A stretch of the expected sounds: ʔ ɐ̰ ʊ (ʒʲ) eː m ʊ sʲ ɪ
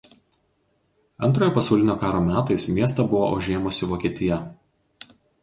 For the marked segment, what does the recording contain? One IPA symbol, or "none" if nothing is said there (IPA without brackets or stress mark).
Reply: ʒʲ